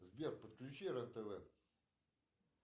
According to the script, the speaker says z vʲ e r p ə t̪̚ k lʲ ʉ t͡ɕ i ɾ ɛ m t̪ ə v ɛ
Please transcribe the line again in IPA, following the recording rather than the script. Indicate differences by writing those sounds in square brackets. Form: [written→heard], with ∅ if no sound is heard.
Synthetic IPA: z [vʲ→bʲ] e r p ə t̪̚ k lʲ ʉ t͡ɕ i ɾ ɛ [m→n] t̪ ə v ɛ